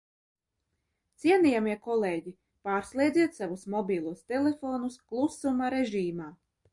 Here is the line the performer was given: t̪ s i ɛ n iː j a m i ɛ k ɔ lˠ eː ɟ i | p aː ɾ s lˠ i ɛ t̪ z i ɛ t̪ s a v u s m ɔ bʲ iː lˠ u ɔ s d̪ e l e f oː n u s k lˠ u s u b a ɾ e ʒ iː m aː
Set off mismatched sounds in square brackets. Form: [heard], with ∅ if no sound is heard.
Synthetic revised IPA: t̪ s i ɛ n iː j a m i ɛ k ɔ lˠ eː ɟ i | p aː ɾ s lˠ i ɛ [d̪] z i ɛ t̪ s a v u s m ɔ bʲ iː lˠ u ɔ s [t̪] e l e f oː n u s k lˠ u s u [m] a ɾ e ʒ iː m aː